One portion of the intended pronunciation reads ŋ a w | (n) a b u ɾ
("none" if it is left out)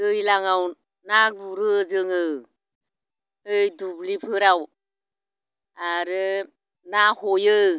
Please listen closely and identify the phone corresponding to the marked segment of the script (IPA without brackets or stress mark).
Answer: n